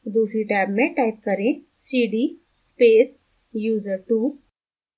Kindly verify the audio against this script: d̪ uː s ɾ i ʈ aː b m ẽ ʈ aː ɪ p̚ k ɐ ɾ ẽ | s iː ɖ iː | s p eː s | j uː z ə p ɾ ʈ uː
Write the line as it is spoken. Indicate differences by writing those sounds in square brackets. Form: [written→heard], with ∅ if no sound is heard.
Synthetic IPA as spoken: d̪ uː s ɾ i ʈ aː b m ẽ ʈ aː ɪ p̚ k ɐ ɾ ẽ | s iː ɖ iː | s p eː s | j uː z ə [p→∅] ɾ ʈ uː